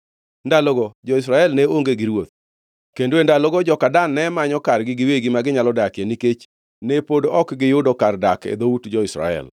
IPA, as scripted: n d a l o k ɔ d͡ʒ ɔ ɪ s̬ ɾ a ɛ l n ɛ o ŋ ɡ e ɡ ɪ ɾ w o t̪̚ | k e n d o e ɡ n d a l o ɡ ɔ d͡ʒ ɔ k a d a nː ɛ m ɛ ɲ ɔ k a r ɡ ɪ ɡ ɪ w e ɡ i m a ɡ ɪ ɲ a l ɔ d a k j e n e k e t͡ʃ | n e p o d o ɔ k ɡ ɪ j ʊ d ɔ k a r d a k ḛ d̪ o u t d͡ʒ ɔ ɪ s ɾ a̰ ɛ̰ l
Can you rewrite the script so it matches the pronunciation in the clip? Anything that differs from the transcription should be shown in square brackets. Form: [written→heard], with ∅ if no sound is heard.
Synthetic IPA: n d a l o [k→ɡ] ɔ d͡ʒ ɔ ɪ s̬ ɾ a ɛ l n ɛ o ŋ ɡ e ɡ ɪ ɾ w o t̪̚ | k e n d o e [ɡ→∅] n d a l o ɡ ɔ d͡ʒ ɔ k a d a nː ɛ m [ɛ→a] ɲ ɔ k a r ɡ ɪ ɡ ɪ w e ɡ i m a ɡ ɪ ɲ a l ɔ d a k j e n [e→i] k e t͡ʃ | n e p o d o ɔ k ɡ ɪ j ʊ d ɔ k a r d a k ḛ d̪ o u t d͡ʒ ɔ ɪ s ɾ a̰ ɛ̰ l